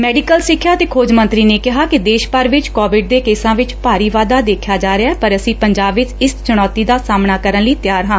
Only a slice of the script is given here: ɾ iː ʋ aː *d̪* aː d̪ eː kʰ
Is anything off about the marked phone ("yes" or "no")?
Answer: no